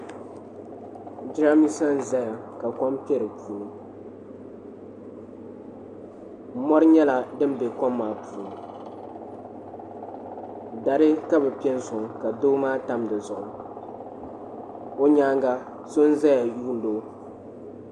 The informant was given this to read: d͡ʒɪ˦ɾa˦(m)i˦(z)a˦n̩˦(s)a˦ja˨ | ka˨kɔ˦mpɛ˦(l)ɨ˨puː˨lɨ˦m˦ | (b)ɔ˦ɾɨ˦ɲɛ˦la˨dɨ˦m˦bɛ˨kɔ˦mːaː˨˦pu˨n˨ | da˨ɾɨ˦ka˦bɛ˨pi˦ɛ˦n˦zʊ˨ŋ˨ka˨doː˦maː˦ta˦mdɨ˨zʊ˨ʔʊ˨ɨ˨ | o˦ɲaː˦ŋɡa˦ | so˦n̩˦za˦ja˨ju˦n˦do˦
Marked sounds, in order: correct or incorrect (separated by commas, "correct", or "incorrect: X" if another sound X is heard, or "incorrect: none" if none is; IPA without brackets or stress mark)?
correct, incorrect: s, incorrect: z, incorrect: ɾ, incorrect: m